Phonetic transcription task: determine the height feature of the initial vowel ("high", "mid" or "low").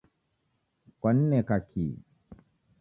low